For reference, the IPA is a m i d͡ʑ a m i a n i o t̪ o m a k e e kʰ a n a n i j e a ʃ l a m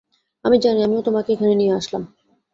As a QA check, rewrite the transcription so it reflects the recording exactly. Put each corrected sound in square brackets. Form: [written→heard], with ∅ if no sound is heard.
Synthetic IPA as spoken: a m i d͡ʑ a [m→n] i a [n→m] i o t̪ o m a k e e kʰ a n [a→e] n i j e a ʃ l a m